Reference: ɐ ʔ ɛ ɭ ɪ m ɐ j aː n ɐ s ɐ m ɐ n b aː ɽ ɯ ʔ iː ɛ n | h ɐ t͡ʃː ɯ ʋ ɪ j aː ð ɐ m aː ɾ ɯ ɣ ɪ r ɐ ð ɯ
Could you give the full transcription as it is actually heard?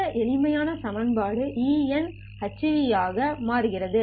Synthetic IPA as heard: ɐ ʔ ɛ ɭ ɪ m ɐ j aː n ɐ s ɐ m ɐ n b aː ɽ ɯ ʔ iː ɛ n | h ɐ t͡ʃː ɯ ʋ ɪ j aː ɣ ɐ m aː ɾ ɯ ɣ ɪ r ɐ ð ɯ